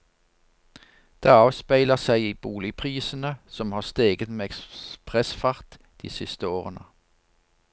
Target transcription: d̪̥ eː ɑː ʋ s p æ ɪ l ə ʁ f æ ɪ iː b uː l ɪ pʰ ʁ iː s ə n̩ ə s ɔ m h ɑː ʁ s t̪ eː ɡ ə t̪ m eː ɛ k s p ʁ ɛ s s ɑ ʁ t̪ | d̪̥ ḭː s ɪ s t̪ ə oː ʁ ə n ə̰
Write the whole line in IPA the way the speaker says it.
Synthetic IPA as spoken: d̪̥ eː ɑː ʋ s p æ ɪ l ə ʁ s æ ɪ iː b uː l ɪ pʰ ʁ iː s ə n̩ ə s ɔ m h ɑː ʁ s t̪ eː ɡ ə t̪ m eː ɛ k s p ʁ ɛ s f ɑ ʁ t̪ | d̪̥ ḭː s ɪ s t̪ ə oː ʁ ə n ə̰

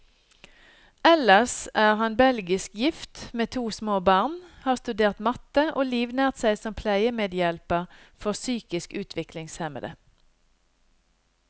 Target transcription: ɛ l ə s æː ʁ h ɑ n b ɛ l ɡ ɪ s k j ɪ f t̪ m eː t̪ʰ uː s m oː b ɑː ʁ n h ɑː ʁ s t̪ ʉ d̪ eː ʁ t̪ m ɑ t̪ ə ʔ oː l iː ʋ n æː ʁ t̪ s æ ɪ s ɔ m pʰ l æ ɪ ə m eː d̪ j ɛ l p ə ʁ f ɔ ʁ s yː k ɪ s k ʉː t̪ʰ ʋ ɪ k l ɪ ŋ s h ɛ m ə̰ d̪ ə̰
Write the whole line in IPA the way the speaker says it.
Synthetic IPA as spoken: ɛ l ə s æː ʁ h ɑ n b ɛ l ɡ ɪ s k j ɪ f t̪ m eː t̪ʰ uː s m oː b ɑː ʁ n h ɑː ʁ s t̪ ʉ d̪ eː ʁ t̪ m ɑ t̪ ə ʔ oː l iː ʋ n æː ʁ t̪ s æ ɪ s ɔ m pʰ l æ ɪ ə m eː d̪ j ɛ l p ə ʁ f ɔ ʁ s yː k ɪ s k ʉː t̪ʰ ʋ ɪ k l ɪ ŋ s h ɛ m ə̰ d̪ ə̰

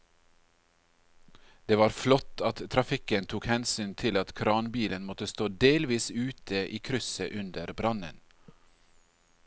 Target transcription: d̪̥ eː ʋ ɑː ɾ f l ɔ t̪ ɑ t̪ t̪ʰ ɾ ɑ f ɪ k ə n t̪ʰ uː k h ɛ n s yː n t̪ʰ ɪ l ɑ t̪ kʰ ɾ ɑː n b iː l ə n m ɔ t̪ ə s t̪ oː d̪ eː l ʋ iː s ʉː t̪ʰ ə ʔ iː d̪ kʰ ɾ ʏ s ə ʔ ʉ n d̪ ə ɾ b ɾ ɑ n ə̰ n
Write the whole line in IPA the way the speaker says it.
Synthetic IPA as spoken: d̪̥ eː ʋ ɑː ɾ f l ɔ t̪ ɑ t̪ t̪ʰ ɾ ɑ f ɪ k ə n t̪ʰ uː k h ɛ n s yː n t̪ʰ ɪ l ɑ t̪ kʰ ɾ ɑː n b iː l ə n m ɔ t̪ ə s t̪ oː d̪ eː l ʋ iː s ʉː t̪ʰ ə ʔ iː kʰ ɾ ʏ s ə ʔ ʉ n d̪ ə ɾ b ɾ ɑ n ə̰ n

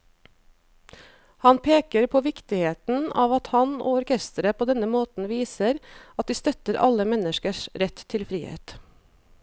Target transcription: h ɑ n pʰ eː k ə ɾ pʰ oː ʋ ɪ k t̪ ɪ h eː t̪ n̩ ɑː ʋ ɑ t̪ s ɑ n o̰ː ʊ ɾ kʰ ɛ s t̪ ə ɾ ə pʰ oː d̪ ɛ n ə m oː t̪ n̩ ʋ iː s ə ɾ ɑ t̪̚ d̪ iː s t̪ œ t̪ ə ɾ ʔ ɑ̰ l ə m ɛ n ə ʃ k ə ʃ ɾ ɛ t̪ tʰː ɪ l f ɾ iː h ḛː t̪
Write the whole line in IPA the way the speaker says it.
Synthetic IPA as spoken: h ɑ n pʰ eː k ə ɾ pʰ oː ʋ ɪ k t̪ ɪ h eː t̪ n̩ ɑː ʋ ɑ t̪ h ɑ n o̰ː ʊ ɾ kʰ ɛ s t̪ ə ɾ ə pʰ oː d̪ ɛ n ə m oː t̪ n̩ ʋ iː s ə ɾ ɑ t̪̚ d̪ iː s t̪ œ t̪ ə ɾ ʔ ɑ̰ l ə m ɛ n ə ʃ k ə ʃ ɾ ɛ t̪ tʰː ɪ l f ɾ iː h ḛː t̪

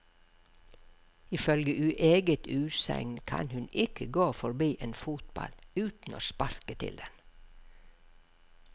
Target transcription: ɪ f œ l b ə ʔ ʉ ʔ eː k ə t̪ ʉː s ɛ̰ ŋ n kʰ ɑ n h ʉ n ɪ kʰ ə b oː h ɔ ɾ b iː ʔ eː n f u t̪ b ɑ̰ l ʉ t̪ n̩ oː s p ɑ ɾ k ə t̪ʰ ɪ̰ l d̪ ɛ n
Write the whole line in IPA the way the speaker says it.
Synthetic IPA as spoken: ɪ f œ l ɡ ə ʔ ʉ ʔ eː ɡ ə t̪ ʉː s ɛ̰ ŋ n kʰ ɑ n h ʉ n ɪ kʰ ə ɡ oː f ɔ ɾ b iː ʔ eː n f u t̪ b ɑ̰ l ʉː t̪ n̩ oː s p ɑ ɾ k ə t̪ʰ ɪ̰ l d̪ ɛ n

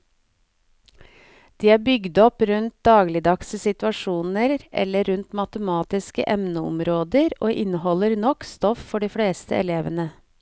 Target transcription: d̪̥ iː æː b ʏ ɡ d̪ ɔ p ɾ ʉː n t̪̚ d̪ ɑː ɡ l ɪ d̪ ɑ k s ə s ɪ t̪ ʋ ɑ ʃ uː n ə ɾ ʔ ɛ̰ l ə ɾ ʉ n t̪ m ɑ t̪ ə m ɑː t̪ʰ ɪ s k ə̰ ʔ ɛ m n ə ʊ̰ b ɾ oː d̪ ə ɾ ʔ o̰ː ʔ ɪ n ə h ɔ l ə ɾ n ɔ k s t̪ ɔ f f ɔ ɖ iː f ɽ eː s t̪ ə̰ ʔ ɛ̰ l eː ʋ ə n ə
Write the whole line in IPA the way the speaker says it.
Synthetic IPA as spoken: d̪̥ iː æː b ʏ ɡ d̪ ɔ p ɾ ʉ n t̪̚ d̪ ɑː ɡ l ɪ d̪ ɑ k s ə s ɪ t̪ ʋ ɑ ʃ uː n ə ɾ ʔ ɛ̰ l ə ɾ ʉ n t̪ m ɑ t̪ ə m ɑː t̪ ɪ s k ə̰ ʔ ɛ m n ə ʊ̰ m ɾ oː d̪ ə ɾ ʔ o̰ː ʔ ɪ n ə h ɔ l ə ɾ n ɔ k s t̪ ɔ f f ɔ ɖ iː f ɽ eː s t̪ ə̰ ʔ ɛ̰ l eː ʋ ə n ə

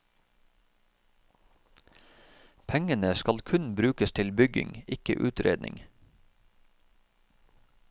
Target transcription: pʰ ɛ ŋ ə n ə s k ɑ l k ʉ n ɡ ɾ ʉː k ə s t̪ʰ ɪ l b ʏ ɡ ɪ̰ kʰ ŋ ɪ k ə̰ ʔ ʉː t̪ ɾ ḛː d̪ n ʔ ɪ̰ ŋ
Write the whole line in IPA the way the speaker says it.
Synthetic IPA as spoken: pʰ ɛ ŋ ə n ə s k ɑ l kʰ ʉ n b ɾ ʉː k ə s t̪ʰ ɪ l b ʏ ɡ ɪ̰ ŋ ɪ k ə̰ ʔ ʉː t̪ ɾ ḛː d̪ n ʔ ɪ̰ ŋ

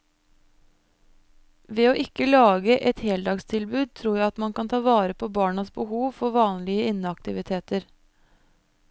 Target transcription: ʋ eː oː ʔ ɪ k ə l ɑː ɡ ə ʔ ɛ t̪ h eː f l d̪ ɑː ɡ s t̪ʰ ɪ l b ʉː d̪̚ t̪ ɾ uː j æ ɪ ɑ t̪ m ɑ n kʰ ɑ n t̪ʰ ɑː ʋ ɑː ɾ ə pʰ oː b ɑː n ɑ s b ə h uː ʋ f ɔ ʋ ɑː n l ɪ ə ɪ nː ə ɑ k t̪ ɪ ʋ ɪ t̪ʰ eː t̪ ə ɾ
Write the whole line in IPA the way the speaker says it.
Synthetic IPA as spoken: ʋ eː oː ʔ ɪ k ə l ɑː ɡ ə ʔ ɛ t̪ h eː l d̪ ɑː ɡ s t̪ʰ ɪ l b ʉː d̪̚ t̪ʰ ɾ uː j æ ɪ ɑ t̪ m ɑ n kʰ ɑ n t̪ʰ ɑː ʋ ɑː ɾ ə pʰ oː b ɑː ɳ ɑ s b ə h uː ʋ f ɔ ʋ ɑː n l ɪ ə ɪ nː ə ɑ k t̪ ɪ ʋ ɪ t̪ʰ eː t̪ ə ɾ

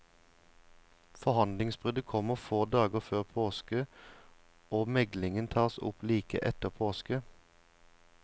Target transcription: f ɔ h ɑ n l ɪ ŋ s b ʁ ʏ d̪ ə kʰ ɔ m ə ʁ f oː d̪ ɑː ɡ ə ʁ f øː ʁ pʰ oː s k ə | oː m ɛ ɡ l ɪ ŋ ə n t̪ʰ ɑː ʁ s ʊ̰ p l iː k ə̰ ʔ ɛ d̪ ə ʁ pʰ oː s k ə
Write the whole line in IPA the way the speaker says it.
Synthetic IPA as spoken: f ɔ h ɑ n l ɪ ŋ s b ʁ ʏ d̪ ə kʰ ɔ m ə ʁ f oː d̪ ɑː ɡ ə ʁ f øː ʁ pʰ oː s k ə | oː m ɛ ɡ l ɪ ŋ ə n t̪ʰ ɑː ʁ s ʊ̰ p l iː k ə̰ ʔ ɛ t̪ ə ʁ pʰ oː s k ə

